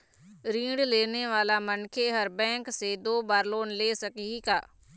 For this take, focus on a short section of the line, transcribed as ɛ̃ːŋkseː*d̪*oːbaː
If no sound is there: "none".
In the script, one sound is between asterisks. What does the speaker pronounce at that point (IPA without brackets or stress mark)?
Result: d̪